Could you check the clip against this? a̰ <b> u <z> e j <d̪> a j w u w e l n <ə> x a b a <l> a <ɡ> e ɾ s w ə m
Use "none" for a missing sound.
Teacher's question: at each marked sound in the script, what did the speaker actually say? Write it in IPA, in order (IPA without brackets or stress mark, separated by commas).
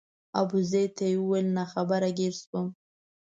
b, z, t̪, a, ɾ, ɡ